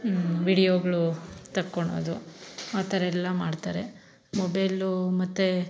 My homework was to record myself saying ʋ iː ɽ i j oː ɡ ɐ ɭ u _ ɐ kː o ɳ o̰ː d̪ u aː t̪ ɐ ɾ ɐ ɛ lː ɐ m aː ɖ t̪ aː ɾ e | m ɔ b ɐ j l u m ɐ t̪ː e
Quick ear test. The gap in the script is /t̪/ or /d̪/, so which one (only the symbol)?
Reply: t̪